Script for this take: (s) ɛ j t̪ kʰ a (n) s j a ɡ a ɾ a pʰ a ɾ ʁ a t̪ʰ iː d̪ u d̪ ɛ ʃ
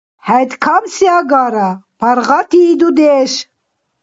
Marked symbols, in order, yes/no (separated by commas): no, no